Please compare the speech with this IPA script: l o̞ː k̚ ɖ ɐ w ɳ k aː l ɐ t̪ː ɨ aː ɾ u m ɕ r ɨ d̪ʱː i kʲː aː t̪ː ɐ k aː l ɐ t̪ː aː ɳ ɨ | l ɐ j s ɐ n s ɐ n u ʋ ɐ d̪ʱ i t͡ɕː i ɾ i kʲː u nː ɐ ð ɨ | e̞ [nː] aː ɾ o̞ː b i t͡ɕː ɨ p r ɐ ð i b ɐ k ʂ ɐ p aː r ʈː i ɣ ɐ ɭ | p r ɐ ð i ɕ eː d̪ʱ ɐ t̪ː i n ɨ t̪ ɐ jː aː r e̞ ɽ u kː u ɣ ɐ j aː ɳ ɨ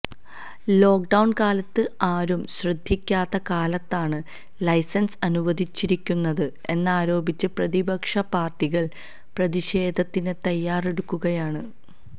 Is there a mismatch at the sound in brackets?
no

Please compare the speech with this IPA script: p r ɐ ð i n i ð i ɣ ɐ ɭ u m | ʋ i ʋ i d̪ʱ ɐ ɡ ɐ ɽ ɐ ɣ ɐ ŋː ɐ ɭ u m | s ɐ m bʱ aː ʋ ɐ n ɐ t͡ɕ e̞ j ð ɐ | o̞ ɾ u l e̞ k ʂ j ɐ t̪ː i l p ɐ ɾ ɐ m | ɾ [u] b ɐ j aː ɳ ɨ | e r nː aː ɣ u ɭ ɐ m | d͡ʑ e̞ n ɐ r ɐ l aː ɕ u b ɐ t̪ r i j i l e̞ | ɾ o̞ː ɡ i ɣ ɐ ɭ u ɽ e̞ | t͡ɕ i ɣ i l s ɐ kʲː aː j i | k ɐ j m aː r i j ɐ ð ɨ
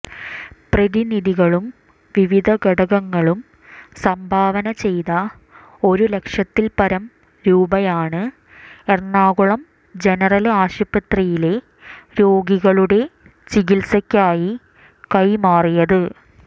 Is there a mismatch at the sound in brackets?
yes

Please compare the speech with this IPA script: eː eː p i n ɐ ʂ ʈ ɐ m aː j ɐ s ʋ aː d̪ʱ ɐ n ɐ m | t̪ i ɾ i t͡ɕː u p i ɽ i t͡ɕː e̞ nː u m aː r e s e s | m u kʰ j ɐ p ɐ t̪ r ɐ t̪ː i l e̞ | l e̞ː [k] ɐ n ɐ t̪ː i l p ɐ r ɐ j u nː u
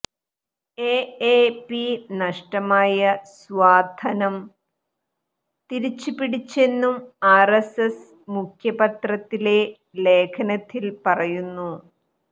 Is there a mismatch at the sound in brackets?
yes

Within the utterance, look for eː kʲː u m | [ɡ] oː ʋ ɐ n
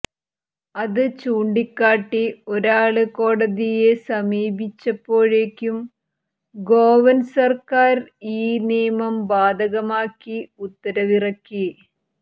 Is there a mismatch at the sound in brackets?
no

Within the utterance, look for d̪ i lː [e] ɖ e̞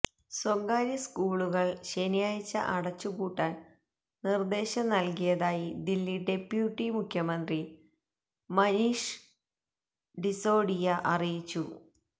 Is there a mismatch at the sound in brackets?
yes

